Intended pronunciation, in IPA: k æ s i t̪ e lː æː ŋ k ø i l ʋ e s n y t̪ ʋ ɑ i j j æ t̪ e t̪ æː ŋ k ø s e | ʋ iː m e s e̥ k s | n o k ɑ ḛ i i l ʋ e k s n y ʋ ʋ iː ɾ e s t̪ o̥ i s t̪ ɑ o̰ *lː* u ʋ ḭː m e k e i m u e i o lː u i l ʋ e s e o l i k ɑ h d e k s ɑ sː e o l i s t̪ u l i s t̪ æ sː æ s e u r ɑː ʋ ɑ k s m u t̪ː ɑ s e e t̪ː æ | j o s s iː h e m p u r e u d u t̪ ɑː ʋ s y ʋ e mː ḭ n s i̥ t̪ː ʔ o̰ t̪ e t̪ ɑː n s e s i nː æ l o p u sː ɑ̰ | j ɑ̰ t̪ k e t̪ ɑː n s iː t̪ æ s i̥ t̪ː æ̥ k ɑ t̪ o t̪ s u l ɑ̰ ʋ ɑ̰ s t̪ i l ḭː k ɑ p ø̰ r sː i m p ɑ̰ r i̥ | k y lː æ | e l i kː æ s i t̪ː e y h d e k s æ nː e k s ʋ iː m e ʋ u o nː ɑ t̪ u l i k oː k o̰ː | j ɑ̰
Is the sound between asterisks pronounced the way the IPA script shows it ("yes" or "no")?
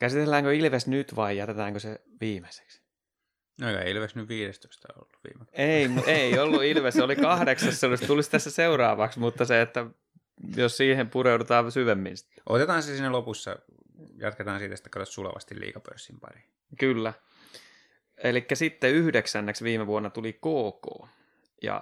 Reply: yes